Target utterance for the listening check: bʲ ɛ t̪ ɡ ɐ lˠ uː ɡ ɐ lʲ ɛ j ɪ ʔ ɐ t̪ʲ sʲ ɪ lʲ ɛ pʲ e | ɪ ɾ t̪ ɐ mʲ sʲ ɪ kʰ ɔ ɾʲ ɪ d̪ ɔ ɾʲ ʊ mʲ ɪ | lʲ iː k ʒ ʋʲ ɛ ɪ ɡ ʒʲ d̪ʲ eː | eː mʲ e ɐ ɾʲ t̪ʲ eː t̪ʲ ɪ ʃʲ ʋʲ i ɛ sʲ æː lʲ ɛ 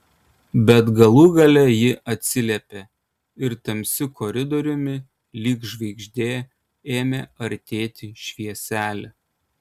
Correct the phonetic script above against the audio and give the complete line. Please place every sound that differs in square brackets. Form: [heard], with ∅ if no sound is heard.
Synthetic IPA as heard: bʲ ɛ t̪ ɡ ɐ lˠ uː ɡ ɐ lʲ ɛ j ɪ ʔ ɐ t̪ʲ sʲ ɪ lʲ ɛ pʲ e | ɪ ɾ t̪ ɐ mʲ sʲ ɪ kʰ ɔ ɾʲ ɪ d̪ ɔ ɾʲ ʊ mʲ ɪ | lʲ iː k ʒ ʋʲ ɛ ɪ ɡ ʒʲ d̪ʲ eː | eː mʲ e ɐ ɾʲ t̪ʲ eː t̪ʲ ɪ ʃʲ ʋʲ i ɛ sʲ æː lʲ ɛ